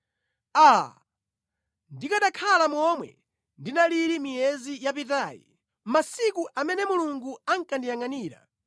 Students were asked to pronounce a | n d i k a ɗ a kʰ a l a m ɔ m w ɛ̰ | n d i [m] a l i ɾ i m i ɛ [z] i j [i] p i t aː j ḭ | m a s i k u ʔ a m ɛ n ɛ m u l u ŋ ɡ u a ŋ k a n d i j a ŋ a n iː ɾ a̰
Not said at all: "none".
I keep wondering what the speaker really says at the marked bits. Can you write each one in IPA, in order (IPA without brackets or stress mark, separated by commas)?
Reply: n, z, a